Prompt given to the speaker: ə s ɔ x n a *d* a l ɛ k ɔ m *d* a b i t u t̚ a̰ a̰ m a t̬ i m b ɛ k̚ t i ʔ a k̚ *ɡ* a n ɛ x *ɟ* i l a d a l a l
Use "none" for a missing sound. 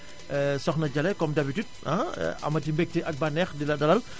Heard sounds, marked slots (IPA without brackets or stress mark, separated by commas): d͡ʒ, d, b, d